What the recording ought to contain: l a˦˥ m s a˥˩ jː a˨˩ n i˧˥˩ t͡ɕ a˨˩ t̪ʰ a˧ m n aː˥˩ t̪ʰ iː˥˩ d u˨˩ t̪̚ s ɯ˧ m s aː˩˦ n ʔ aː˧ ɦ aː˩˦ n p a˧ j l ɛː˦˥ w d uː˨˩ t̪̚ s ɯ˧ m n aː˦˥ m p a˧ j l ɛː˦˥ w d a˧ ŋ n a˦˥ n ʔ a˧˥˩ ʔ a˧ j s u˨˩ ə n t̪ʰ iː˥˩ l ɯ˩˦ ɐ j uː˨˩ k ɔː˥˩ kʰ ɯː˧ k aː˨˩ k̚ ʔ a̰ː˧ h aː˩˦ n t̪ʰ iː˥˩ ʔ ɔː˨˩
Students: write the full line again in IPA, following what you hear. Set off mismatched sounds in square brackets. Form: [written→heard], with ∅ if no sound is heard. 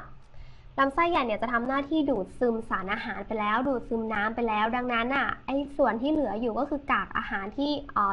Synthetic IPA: l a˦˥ m s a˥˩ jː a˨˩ n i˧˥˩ t͡ɕ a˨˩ t̪ʰ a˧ m n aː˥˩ t̪ʰ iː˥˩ d [u˨˩→uː˨˩] t̪̚ s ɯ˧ m s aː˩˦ n ʔ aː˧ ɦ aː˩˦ n p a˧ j l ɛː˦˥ w d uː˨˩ t̪̚ s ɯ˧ m n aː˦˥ m p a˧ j l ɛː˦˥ w d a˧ ŋ n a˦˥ n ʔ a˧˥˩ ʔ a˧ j s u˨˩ ə n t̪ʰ iː˥˩ l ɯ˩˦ ɐ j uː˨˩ k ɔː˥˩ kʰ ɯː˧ k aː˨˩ k̚ ʔ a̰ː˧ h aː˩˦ n t̪ʰ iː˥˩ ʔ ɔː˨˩

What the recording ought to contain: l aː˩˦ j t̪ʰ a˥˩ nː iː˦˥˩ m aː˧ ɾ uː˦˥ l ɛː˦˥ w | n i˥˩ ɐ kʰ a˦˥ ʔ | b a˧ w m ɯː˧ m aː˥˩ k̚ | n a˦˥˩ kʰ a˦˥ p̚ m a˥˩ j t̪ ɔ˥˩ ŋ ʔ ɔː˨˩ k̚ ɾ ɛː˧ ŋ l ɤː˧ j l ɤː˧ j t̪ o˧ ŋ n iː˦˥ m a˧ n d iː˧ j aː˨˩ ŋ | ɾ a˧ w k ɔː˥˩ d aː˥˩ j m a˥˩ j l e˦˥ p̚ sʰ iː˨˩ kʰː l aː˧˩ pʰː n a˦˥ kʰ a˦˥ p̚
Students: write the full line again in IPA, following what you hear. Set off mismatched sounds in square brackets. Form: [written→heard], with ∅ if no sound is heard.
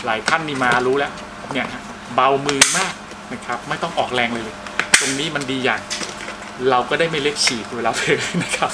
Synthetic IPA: l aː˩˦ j t̪ʰ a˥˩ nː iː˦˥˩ m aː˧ ɾ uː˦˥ l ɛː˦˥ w | n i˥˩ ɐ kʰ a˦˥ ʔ | b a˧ w m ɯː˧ m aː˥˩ k̚ | n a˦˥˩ kʰ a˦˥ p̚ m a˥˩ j t̪ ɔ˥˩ ŋ ʔ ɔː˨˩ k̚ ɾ ɛː˧ ŋ l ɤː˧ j l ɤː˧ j t̪ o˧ ŋ n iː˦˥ m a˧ n d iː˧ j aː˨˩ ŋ | ɾ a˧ w k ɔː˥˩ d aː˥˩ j m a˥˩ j l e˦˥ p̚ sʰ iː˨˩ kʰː l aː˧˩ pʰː n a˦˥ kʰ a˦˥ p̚

